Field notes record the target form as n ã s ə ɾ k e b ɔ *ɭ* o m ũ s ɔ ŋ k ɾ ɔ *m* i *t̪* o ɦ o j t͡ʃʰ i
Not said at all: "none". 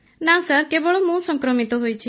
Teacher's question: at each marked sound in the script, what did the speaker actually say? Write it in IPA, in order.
ɭ, m, t̪

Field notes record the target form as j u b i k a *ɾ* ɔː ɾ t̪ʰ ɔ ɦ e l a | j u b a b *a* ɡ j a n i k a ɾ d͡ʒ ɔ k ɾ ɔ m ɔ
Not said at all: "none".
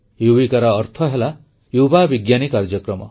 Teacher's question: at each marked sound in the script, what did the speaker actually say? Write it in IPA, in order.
ɾ, i

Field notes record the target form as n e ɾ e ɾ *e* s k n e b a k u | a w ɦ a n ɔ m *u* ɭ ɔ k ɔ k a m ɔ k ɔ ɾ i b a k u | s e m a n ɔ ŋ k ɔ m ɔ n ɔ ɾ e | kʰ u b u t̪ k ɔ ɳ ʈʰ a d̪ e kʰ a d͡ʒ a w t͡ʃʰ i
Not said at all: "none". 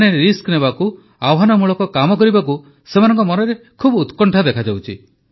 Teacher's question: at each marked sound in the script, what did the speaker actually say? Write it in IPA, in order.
i, u

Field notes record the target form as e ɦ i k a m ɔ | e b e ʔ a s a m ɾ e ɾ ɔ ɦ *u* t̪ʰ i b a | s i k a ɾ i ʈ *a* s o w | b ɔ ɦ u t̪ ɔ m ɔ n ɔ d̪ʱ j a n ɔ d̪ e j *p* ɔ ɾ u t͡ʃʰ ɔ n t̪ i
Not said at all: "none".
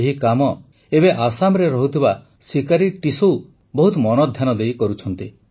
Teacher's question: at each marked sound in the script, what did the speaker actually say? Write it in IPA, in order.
u, i, k

